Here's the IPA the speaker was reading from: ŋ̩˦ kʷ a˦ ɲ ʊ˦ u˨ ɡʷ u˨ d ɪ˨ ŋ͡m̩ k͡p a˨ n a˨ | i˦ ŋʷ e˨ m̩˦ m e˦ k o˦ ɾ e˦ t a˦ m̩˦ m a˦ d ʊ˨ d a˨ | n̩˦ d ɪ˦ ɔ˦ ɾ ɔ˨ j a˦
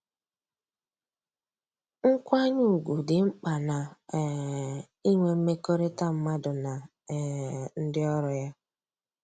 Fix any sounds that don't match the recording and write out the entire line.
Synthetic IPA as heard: ŋ̩˦ kʷ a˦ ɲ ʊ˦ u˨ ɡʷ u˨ d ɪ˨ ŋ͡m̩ k͡p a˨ n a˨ | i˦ ŋʷ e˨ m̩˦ m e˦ k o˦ ɾ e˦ t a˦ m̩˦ m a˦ d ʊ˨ n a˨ | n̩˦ d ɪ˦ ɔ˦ ɾ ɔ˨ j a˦

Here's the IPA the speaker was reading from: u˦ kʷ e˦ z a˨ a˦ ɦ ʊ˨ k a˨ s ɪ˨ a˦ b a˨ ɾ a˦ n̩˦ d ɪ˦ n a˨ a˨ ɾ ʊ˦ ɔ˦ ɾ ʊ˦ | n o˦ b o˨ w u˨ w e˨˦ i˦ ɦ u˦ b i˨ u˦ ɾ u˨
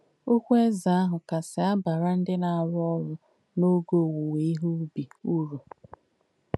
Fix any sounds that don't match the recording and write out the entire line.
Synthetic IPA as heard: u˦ kʷ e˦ z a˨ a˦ ɦ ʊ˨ k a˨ s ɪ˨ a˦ b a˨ ɾ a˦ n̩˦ d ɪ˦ n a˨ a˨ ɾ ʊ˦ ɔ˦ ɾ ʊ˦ | n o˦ ɡ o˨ w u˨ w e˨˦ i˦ ɦ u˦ b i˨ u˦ ɾ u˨

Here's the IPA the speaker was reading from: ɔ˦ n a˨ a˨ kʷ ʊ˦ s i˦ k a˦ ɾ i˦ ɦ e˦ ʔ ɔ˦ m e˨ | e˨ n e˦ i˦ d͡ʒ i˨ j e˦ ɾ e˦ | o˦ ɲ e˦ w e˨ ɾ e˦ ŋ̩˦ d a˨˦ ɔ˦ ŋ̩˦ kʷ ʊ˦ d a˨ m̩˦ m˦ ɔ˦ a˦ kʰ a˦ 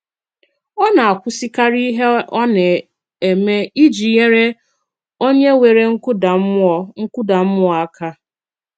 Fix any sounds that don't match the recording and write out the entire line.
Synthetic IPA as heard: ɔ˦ n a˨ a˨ kʷ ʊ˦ s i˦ k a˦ ɾ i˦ ɦ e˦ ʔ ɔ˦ n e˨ | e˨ m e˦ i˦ d͡ʒ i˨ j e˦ ɾ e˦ | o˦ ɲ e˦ w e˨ ɾ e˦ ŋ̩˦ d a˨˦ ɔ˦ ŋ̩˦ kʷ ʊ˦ d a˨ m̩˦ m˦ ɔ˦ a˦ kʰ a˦

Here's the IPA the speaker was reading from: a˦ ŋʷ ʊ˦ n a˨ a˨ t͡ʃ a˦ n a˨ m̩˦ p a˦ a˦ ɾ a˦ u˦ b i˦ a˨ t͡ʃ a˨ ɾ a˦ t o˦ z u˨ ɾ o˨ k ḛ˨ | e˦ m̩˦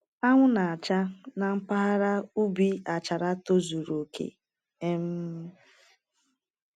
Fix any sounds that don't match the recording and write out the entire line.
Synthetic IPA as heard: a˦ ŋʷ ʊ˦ n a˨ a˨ t͡ʃ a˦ n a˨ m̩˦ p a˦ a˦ ɾ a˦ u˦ b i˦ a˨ t͡ʃ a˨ ɾ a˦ t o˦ z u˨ ɾ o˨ k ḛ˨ | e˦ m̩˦

